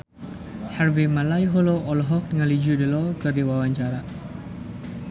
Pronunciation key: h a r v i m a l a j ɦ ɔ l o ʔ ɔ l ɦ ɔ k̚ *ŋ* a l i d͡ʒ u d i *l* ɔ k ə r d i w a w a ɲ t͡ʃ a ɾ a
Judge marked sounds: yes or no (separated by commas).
yes, yes